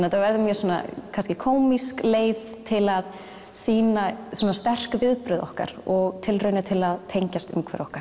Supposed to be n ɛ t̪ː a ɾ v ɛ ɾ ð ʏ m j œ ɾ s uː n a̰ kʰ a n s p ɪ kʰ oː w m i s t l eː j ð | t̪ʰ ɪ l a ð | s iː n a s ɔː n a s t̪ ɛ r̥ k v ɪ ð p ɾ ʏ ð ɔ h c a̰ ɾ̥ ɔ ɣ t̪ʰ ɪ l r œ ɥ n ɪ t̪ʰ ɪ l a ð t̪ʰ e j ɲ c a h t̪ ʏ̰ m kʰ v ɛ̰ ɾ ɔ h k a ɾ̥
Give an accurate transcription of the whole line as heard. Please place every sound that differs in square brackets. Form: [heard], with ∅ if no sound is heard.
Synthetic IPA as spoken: n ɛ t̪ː a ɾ v ɛ ɾ ð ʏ m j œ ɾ s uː n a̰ kʰ a n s [c] ɪ kʰ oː w m i s [k] l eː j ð | t̪ʰ ɪ l a ð | s iː n a s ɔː n a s t̪ ɛ r̥ k v ɪ ð p ɾ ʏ ð ɔ h [k] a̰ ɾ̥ ɔ ɣ t̪ʰ ɪ l r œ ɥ n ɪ t̪ʰ ɪ l a ð t̪ʰ e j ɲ c a [s] t̪ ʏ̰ m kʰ v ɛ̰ ɾ ɔ h k a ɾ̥